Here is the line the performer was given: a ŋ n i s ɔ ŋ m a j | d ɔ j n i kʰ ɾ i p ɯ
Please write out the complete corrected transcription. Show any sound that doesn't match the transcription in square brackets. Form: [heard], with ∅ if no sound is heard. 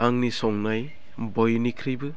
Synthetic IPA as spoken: a ŋ n i s ɔ ŋ [n] a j | [b] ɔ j n i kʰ ɾ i [b] ɯ